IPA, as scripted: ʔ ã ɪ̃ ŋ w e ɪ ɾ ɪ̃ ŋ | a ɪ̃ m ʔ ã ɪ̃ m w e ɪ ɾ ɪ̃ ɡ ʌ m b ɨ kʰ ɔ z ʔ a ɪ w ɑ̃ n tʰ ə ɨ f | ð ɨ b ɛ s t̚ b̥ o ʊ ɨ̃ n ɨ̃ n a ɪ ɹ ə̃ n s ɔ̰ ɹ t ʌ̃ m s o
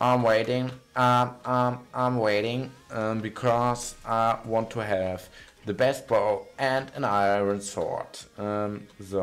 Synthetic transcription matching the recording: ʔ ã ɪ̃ m w e ɪ ɾ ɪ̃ ŋ | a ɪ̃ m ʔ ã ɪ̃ m w e ɪ ɾ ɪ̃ ŋ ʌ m b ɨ kʰ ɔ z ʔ a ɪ w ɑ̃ n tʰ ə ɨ v | ð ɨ b ɛ s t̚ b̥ o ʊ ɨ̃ n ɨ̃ n a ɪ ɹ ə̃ n s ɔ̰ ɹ t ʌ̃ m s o

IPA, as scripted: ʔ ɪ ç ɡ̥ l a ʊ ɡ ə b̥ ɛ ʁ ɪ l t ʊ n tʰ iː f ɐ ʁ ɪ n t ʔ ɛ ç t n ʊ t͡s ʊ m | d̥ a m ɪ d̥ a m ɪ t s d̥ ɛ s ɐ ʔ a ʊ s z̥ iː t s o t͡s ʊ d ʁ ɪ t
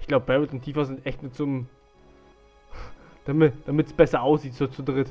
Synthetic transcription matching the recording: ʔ ɪ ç ɡ̥ l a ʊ b ə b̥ ɛ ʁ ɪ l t ʊ n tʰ iː f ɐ z ɪ n t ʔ ɛ ç t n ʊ t͡s ʊ m | d̥ a m ɪ d̥ a m ɪ t s b̥ ɛ s ɐ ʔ a ʊ s z̥ iː t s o t͡s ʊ d ʁ ɪ t

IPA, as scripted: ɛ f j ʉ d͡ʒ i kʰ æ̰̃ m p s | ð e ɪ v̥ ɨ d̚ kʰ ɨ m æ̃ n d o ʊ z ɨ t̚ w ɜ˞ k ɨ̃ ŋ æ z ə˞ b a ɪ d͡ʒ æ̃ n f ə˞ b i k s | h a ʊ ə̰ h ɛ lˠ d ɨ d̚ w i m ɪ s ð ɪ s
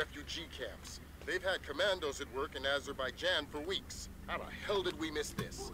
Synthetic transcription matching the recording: ɛ f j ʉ d͡ʒ i kʰ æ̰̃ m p s | ð e ɪ v̥ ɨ d̚ kʰ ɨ m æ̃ n d o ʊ z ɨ t̚ w ɜ˞ k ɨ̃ n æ z ə˞ b a ɪ d͡ʒ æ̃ n f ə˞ w i k s | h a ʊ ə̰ h ɛ lˠ d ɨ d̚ w i m ɪ s ð ɪ s

